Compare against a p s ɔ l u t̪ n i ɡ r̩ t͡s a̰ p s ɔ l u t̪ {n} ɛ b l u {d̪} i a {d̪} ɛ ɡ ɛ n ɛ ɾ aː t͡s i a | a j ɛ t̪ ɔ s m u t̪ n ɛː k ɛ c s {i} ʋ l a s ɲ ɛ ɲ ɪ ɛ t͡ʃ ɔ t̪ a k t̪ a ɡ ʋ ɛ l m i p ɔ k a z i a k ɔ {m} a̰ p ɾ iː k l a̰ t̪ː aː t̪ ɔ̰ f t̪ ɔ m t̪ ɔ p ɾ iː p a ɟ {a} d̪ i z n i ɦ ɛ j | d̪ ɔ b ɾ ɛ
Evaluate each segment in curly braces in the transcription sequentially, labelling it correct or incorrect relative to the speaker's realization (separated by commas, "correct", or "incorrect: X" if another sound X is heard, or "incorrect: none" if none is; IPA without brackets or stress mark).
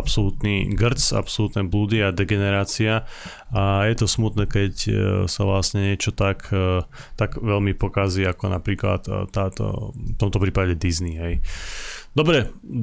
correct, correct, correct, incorrect: a, incorrect: n, incorrect: ɛ